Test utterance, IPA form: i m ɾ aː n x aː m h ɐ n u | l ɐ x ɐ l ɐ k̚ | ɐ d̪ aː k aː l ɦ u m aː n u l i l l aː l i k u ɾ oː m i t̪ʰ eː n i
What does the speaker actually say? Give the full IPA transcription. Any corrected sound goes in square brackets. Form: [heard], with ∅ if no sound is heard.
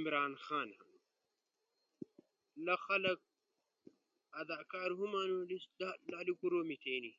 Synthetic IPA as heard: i m ɾ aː n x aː [n] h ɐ n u | l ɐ x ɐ l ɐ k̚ | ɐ d̪ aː k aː [ɾ] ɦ u m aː n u l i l l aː l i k u ɾ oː m i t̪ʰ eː n i